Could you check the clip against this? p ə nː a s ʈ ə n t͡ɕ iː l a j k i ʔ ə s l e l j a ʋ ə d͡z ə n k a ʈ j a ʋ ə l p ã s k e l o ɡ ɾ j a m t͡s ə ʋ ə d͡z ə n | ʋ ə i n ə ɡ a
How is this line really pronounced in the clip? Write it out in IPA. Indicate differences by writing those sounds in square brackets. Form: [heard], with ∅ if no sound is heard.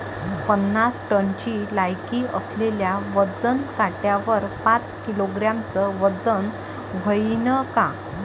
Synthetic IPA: p ə nː a s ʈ ə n t͡ɕ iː l a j k i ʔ ə s l e l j a ʋ ə d͡z ə n k a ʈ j a ʋ ə [ɾ] p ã [t͡s] k [i] l o ɡ ɾ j a m t͡s ə ʋ ə d͡z ə n | ʋ ə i n ə [k] a

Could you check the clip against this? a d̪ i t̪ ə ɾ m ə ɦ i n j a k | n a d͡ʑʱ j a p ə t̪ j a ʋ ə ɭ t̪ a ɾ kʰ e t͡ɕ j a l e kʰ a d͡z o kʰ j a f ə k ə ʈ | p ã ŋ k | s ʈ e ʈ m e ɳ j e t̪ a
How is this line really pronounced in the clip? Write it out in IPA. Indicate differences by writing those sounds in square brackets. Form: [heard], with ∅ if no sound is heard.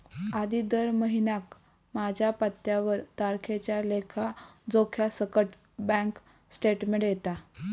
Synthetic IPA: a d̪ i [d̪] ə ɾ m ə ɦ i n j a k | [m] a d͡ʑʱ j a p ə t̪ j a ʋ ə [ɾ] t̪ a ɾ kʰ e t͡ɕ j a l e kʰ a d͡z o kʰ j a [s] ə k ə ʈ | [b] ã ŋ k | s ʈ e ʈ m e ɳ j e t̪ a

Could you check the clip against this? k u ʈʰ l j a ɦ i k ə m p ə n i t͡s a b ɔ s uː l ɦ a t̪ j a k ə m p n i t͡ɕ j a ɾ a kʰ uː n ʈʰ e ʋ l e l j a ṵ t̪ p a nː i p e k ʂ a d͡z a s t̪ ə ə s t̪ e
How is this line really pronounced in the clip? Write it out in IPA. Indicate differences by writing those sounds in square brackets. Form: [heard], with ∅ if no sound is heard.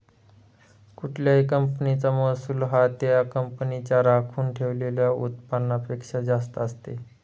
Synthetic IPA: k u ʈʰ l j a ɦ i k ə m p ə n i t͡s a [m] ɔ s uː l ɦ a t̪ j a k ə m p n i t͡ɕ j a ɾ a kʰ uː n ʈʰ e ʋ l e l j a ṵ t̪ p a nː [a] p e k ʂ a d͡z a s t̪ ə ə s t̪ e

